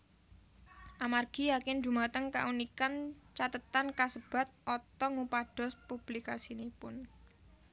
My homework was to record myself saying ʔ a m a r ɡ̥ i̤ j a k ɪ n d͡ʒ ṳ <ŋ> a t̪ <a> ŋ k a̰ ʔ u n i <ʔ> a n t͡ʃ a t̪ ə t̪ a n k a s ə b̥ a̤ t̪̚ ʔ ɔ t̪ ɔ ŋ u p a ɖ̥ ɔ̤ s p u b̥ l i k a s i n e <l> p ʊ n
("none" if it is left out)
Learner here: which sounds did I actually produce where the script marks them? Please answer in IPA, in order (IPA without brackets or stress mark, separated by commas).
m, ə, k, none